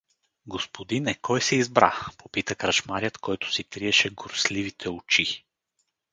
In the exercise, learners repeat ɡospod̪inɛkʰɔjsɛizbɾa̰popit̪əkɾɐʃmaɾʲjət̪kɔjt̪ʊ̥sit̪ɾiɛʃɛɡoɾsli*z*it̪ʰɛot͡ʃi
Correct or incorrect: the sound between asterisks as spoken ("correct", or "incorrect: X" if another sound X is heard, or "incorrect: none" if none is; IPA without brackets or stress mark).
incorrect: v